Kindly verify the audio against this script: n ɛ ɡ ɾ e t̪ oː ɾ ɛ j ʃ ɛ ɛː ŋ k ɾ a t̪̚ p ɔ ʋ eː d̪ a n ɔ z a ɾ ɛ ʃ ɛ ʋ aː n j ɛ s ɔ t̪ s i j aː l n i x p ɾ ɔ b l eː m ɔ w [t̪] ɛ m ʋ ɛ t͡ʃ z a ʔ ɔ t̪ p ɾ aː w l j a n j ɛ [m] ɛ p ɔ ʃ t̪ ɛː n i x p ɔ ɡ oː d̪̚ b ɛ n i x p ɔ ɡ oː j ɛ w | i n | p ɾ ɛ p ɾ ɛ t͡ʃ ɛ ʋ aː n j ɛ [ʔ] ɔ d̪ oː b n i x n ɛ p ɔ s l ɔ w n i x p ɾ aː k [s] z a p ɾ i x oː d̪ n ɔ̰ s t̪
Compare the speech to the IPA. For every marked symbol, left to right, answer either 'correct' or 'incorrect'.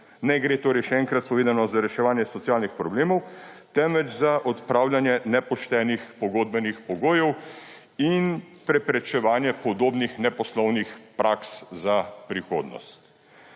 correct, incorrect, incorrect, correct

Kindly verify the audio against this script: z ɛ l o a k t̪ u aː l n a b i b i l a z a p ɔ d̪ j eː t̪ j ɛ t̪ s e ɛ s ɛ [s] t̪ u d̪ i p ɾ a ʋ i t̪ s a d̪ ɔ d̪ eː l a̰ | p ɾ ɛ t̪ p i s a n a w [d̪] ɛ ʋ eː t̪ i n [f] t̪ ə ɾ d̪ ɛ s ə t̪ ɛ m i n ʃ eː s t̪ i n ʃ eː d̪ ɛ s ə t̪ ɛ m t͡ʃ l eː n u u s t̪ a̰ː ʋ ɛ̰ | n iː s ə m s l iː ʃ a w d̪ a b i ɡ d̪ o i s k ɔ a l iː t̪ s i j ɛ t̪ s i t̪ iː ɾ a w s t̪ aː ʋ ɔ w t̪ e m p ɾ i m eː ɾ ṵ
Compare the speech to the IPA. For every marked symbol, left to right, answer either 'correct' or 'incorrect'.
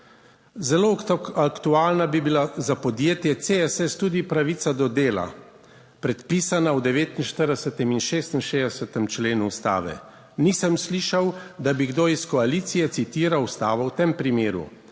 correct, correct, incorrect

